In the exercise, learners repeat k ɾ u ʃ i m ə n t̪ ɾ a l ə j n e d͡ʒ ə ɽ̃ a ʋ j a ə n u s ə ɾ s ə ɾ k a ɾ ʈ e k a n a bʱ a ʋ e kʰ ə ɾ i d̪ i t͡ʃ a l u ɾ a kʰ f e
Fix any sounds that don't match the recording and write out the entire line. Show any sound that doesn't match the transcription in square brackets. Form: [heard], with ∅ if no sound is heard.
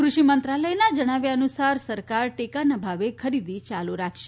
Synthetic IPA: k ɾ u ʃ i m ə n t̪ ɾ a l ə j n [a] d͡ʒ ə ɽ̃ a ʋ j a ə n u s [a] ɾ s ə ɾ k a ɾ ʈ e k a n a bʱ a ʋ e kʰ ə ɾ i d̪ i t͡ʃ a l u ɾ a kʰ [ʃ] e

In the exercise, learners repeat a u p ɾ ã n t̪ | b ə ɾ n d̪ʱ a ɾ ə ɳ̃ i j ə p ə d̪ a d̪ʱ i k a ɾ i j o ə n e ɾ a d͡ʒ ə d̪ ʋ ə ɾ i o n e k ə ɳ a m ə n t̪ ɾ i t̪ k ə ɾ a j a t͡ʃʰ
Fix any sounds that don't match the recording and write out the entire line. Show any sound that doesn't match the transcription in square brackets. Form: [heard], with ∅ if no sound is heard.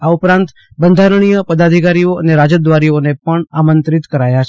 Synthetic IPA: a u p ɾ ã n t̪ | b ə [∅] n d̪ʱ a ɾ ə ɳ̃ i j ə p ə d̪ a d̪ʱ i k a ɾ i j o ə n e ɾ a d͡ʒ ə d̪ ʋ [a] ɾ i o n e [p] ə ɳ a m ə n t̪ ɾ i t̪ k ə ɾ a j a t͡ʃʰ

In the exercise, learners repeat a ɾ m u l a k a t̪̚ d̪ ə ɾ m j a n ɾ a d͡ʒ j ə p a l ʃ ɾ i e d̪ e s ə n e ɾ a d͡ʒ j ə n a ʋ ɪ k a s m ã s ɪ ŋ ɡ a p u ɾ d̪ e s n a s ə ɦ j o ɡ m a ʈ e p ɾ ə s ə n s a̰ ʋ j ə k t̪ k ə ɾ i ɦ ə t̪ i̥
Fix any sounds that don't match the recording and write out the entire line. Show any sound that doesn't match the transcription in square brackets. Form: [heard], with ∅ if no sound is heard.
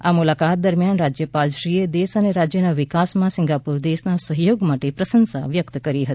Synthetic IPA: a [∅] m u l a k a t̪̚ d̪ ə ɾ m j a n ɾ a d͡ʒ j ə p a l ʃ ɾ i e d̪ e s ə n e ɾ a d͡ʒ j ə n a ʋ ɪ k a s m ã s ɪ ŋ ɡ a p u ɾ d̪ e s n a s ə ɦ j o ɡ m a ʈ e p ɾ ə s ə n s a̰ ʋ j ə k t̪ k ə ɾ i ɦ ə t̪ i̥

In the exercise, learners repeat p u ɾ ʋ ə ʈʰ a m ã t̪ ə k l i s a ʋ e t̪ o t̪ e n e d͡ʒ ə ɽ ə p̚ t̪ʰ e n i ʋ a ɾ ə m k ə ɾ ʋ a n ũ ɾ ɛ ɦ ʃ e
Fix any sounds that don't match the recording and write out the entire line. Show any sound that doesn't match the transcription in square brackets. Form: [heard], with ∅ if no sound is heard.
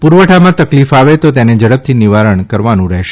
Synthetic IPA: p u ɾ ʋ ə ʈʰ a m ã t̪ ə k l i [f] a ʋ e t̪ o t̪ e n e d͡ʒ ə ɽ ə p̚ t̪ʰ [i] n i ʋ a ɾ ə [ɳ] k ə ɾ ʋ a n ũ ɾ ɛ ɦ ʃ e

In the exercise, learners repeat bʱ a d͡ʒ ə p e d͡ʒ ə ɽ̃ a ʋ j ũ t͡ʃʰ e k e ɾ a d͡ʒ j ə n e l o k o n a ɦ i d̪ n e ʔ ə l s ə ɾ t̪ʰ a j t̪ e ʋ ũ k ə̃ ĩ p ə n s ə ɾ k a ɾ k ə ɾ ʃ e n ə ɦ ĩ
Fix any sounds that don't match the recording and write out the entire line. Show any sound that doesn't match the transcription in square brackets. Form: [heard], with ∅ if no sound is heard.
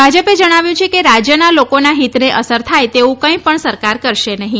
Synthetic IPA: bʱ a d͡ʒ ə p e d͡ʒ ə ɽ̃ a ʋ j ũ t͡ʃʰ e k e ɾ a d͡ʒ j ə n [a] l o k o n a ɦ i [t̪] n e ʔ ə [∅] s ə ɾ t̪ʰ a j t̪ e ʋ ũ k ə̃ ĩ p ə [ɳ] s ə ɾ k a ɾ k ə ɾ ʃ e n ə ɦ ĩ

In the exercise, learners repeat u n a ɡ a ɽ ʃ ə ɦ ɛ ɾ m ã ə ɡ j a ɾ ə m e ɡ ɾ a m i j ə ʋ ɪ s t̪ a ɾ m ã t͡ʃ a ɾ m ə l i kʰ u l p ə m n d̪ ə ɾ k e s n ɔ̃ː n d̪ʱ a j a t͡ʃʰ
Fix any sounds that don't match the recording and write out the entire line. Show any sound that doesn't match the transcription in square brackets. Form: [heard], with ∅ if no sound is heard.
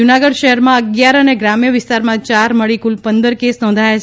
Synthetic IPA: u n a ɡ [ə] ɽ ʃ ə ɦ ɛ ɾ m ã ə ɡ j a ɾ ə [n] e ɡ ɾ a m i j ə ʋ ɪ s t̪ a ɾ m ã t͡ʃ a ɾ m ə [ɭ] i [k] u l p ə [∅] n d̪ ə ɾ k e s n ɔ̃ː n d̪ʱ a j a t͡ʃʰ

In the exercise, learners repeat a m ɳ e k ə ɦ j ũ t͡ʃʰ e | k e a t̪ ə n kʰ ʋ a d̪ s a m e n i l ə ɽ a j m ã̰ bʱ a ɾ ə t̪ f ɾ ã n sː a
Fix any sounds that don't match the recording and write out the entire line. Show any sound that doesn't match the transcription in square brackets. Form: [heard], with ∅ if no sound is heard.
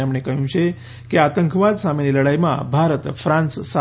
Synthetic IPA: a m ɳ e k ə ɦ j ũ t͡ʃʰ e | k e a t̪ ə [ŋ] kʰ ʋ a d̪ s a m e n i l ə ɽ a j m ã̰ bʱ a ɾ ə t̪ f ɾ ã n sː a

